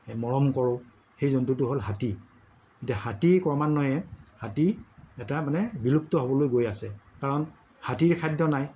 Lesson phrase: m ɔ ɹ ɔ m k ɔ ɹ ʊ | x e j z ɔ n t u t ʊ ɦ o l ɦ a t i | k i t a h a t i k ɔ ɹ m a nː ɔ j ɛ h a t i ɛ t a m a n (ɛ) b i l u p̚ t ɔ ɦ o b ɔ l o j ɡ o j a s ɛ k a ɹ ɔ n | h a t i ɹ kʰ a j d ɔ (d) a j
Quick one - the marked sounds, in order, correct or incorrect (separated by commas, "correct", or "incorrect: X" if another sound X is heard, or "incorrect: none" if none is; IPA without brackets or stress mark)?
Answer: correct, incorrect: n